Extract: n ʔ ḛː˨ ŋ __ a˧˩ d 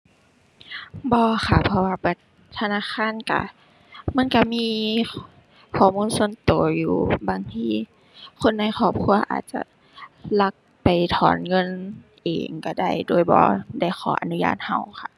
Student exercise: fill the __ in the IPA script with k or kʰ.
k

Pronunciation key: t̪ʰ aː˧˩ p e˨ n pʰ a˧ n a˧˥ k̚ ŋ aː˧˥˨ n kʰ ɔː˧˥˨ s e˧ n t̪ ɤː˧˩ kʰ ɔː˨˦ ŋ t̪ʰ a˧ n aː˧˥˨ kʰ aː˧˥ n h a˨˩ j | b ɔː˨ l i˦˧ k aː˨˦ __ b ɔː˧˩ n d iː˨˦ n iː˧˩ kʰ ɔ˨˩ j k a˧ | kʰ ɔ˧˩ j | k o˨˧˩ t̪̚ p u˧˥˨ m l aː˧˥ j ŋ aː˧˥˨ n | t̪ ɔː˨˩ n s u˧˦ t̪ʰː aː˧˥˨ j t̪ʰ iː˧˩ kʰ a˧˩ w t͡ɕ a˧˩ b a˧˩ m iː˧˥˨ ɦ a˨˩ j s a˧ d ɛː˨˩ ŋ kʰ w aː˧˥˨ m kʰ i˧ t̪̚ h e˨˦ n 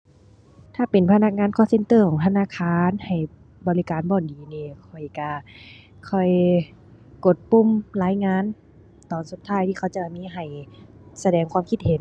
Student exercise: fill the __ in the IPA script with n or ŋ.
n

